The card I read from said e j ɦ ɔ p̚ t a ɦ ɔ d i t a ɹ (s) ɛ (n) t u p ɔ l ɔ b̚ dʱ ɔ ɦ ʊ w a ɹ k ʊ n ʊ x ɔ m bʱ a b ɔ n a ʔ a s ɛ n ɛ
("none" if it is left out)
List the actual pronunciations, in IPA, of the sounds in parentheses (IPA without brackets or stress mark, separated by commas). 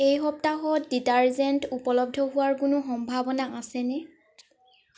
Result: z, n